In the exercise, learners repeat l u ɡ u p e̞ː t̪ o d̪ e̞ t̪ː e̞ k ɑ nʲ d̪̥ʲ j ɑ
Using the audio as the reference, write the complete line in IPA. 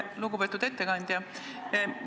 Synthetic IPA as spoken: l u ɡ u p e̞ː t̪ u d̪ e̞ t̪ː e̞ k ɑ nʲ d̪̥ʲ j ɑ